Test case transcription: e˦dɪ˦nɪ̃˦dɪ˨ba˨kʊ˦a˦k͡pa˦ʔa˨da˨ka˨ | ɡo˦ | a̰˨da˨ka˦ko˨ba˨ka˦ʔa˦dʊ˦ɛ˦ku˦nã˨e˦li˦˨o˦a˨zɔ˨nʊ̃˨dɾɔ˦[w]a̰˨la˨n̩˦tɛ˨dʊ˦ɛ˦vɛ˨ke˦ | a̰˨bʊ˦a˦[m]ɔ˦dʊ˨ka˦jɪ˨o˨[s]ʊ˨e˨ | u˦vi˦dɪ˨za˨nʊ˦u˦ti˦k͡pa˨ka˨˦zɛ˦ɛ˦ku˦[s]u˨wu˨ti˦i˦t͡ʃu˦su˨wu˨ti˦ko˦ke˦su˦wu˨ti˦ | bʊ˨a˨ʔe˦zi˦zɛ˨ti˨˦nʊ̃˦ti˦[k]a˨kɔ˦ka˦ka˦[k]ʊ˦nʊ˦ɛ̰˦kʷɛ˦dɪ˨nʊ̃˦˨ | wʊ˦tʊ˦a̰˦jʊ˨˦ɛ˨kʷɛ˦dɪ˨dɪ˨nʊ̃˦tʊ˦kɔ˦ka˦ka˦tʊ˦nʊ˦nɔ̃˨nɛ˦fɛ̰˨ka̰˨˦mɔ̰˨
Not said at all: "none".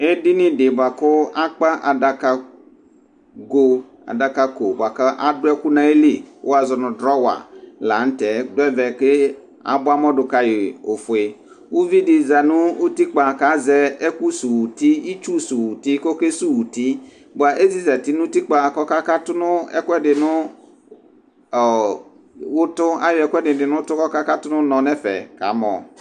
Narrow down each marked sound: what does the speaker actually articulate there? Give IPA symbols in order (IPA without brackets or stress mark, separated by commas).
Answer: w, m, f, s, k͡p, t